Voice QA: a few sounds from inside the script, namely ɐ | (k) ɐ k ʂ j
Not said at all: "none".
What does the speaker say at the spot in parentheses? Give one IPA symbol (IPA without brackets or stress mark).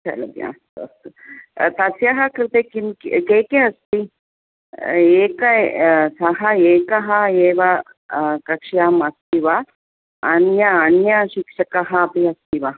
k